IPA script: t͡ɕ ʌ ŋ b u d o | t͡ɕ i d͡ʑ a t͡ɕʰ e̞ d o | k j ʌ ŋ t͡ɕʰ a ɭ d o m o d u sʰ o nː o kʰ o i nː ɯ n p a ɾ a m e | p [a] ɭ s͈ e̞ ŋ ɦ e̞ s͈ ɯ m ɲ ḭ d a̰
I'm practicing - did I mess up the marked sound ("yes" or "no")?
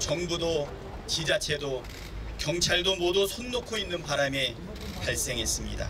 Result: no